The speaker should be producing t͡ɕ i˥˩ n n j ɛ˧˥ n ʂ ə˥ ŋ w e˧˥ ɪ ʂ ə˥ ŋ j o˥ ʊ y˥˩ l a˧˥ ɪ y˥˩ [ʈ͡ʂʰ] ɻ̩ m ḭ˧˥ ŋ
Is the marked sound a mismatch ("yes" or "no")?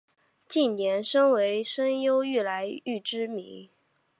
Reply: yes